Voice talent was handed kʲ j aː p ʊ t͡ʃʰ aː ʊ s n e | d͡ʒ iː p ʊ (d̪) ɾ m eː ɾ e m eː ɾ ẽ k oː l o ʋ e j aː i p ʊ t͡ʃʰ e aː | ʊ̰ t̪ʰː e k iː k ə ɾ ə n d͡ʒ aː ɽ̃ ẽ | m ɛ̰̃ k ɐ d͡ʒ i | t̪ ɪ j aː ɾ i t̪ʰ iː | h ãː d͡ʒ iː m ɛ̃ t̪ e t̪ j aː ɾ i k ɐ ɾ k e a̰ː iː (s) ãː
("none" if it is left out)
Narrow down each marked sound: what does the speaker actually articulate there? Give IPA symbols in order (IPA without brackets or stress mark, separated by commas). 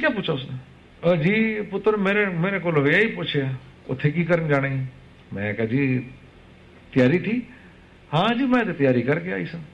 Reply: t̪, s